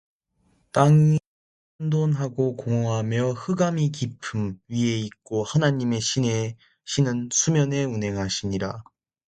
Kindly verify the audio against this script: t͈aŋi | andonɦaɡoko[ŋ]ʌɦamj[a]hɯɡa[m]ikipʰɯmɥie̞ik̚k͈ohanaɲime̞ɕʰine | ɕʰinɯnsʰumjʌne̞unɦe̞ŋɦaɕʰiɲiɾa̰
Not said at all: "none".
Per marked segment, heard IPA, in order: ŋ, ʌ, m

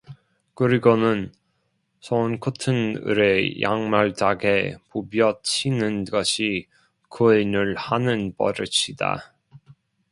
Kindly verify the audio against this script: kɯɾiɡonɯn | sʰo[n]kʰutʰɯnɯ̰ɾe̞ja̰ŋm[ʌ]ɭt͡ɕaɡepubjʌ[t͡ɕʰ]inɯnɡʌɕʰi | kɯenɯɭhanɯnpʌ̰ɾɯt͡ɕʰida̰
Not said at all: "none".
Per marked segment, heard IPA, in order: n, a, t͡ɕʰ

